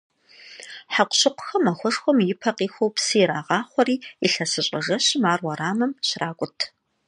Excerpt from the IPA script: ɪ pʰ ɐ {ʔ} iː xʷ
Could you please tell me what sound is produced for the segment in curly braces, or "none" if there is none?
q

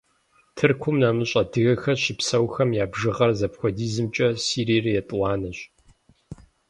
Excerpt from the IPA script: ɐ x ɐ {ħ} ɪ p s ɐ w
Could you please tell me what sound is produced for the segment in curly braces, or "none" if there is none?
ɕ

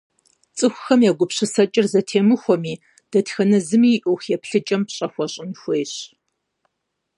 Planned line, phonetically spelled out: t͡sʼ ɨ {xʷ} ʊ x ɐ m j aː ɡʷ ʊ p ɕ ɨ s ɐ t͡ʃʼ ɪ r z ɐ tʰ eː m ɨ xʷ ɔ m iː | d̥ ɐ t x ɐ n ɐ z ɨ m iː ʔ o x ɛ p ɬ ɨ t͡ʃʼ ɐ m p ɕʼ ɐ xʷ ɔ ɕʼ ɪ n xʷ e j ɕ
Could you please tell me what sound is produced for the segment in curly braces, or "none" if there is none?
xʷ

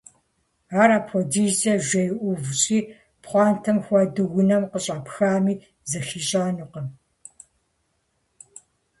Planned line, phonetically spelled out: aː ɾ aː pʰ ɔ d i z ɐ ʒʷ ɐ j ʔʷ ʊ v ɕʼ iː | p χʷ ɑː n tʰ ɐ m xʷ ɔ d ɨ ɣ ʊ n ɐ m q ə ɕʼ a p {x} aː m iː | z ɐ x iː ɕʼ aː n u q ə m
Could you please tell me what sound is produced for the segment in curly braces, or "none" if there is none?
x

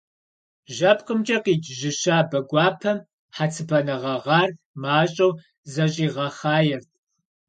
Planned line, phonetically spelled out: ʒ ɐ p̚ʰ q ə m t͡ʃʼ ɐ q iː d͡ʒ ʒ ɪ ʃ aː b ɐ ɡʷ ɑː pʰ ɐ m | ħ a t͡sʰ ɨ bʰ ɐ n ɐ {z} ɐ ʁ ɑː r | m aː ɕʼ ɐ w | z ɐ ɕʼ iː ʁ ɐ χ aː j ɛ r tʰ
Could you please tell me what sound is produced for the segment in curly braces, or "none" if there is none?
ʁ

